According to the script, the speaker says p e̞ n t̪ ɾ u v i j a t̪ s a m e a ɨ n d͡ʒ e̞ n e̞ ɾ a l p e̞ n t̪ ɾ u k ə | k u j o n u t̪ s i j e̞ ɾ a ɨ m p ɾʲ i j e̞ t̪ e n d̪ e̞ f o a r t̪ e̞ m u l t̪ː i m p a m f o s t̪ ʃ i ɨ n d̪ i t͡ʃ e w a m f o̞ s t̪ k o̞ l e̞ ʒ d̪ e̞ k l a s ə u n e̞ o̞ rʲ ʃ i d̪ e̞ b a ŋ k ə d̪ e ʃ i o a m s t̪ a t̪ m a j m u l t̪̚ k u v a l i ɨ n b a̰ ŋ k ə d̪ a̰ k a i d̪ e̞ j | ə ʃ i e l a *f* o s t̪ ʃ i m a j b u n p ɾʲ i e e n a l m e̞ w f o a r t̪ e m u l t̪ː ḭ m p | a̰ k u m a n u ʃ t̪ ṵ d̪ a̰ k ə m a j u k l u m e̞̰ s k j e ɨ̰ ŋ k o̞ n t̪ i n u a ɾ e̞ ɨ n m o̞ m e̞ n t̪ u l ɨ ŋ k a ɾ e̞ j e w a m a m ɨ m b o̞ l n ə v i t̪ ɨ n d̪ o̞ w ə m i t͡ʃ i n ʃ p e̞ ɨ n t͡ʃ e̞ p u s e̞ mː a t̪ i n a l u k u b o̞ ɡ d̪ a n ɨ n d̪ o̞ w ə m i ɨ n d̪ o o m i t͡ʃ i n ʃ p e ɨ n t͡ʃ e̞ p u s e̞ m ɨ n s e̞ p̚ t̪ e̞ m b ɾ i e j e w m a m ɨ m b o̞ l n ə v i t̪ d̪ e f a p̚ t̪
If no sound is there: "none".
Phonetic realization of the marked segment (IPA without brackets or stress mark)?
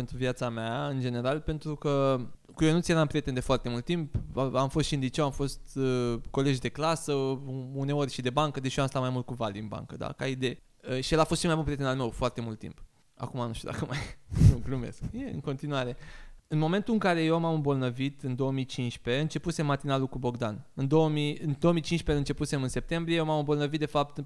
f